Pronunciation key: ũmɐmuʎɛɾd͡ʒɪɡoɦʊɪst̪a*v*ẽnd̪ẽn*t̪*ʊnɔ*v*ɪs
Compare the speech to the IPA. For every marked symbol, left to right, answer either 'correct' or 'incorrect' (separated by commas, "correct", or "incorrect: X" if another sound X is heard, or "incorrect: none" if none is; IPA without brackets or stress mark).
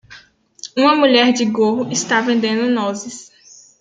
correct, incorrect: d̪, incorrect: z